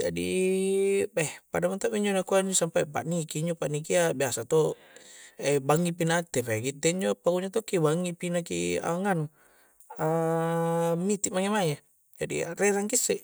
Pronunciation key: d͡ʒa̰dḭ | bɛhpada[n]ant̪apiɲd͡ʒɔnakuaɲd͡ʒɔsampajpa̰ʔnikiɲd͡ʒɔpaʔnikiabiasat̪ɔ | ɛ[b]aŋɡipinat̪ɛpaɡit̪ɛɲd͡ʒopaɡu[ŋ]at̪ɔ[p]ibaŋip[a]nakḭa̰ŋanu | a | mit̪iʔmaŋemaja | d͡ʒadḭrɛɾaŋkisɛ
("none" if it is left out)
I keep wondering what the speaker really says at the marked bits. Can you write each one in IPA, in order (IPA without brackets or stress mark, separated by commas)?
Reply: m, b, ɲ, k, i